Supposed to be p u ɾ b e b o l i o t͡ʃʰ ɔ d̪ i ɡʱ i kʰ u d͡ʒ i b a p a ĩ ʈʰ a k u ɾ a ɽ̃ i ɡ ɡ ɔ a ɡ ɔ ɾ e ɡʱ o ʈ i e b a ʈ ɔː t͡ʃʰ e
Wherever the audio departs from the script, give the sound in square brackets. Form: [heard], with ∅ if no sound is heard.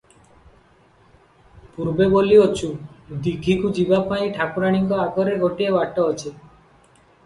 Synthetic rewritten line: p u ɾ b e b o l i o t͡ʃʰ [u] d̪ i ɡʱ i [k] u d͡ʒ i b a p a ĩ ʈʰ a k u ɾ a ɽ̃ i [ŋ] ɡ ɔ a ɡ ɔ ɾ e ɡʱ o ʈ i e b a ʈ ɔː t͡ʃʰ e